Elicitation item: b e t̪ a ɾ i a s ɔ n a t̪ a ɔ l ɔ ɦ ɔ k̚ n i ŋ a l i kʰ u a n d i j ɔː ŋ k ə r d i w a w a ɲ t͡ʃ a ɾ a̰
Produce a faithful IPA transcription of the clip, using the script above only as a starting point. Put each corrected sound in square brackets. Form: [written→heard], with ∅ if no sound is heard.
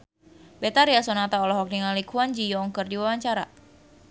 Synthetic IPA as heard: b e t̪ a ɾ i a s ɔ n a t̪ a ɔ l ɔ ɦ ɔ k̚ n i ŋ a l i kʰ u a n [d→d͡ʒ] i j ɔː ŋ k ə r d i w a w a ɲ t͡ʃ a ɾ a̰

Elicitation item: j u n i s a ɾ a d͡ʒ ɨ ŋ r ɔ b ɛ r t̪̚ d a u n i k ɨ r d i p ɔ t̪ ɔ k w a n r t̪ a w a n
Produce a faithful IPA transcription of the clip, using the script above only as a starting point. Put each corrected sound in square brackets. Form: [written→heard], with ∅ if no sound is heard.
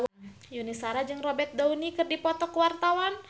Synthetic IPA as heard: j u n i s a ɾ a d͡ʒ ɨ ŋ r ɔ b ɛ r t̪̚ d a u n i k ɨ r d i p ɔ t̪ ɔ k w a [n→∅] r t̪ a w a n

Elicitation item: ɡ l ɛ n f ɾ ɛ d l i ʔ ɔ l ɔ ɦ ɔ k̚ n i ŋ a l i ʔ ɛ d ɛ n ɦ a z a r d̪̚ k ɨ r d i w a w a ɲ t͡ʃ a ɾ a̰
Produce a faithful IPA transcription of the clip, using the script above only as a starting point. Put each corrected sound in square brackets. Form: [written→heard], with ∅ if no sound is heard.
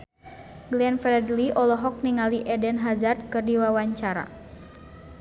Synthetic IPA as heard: ɡ l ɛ n f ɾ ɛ d l i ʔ ɔ l ɔ ɦ ɔ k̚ n i ŋ a l i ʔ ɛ d ɛ n ɦ a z a r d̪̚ k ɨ r d i w a w a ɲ t͡ʃ a ɾ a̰

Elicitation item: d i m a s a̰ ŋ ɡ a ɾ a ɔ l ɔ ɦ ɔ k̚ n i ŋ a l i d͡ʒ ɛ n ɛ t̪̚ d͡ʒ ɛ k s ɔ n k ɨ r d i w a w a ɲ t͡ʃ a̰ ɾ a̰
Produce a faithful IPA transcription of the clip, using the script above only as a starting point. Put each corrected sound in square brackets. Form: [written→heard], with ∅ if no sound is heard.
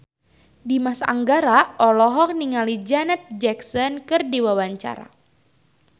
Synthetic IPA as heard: d i m a s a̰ ŋ ɡ a ɾ a ɔ l ɔ ɦ ɔ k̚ n i ŋ a l i d͡ʒ [ɛ→a] n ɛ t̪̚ d͡ʒ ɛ k s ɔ n k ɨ r d i w a w a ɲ t͡ʃ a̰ ɾ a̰

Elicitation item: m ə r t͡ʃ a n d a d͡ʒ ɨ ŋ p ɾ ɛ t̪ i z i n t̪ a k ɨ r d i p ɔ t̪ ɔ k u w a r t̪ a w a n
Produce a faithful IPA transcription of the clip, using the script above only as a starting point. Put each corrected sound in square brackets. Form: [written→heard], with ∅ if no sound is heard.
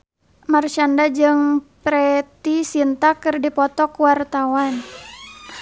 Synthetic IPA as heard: m [ə→a] r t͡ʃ a n d a d͡ʒ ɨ ŋ p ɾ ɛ t̪ i [z→s] i n t̪ a k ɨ r d i p ɔ t̪ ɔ k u w a r t̪ a w a n

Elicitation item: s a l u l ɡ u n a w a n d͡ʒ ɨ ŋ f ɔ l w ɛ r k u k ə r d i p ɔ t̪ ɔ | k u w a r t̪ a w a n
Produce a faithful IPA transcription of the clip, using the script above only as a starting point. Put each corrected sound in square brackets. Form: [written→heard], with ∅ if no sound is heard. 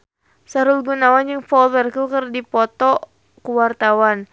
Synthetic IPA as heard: s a [l→ɾ] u l ɡ u n a w a n d͡ʒ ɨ ŋ f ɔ l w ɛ r k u k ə r d i p ɔ t̪ ɔ | k u w a r t̪ a w a n

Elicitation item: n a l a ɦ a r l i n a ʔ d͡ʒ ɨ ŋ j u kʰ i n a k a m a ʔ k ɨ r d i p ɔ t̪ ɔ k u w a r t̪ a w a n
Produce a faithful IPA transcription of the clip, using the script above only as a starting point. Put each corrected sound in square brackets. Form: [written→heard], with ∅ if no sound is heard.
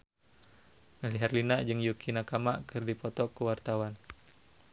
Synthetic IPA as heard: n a l [a→i] ɦ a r l i n a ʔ d͡ʒ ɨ ŋ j u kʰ i n a k a m a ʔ k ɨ r d i p ɔ t̪ ɔ k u w a r t̪ a w a n

